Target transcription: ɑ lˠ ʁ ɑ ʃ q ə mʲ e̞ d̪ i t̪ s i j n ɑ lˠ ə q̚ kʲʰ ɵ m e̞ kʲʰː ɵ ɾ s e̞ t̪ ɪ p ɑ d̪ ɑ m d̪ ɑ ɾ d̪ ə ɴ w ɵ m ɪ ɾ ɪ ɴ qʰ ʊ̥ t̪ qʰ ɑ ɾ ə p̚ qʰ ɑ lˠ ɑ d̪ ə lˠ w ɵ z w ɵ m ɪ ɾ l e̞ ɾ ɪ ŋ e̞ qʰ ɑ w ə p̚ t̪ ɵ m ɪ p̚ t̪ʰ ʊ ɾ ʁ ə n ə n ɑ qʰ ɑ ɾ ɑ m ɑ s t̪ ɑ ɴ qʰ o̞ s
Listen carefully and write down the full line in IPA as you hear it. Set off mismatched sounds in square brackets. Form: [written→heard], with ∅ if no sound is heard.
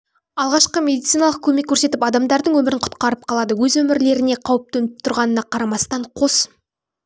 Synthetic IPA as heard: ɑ lˠ ʁ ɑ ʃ q ə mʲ e̞ d̪ i t̪ s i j n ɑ lˠ ə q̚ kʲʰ ɵ m e̞ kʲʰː ɵ ɾ s e̞ t̪ ɪ p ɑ d̪ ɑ m d̪ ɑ ɾ d̪ ə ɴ w ɵ m ɪ ɾ ɪ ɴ qʰ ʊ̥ t̪ [qʰ→q] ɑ ɾ ə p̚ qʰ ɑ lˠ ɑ d̪ ə [lˠ→∅] w ɵ z w ɵ m ɪ ɾ l e̞ ɾ ɪ [ŋ→n] e̞ qʰ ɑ w ə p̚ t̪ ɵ [m→n] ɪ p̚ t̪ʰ ʊ ɾ ʁ [ə→ɑ] n ə n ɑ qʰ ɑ ɾ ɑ m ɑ s t̪ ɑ ɴ qʰ o̞ s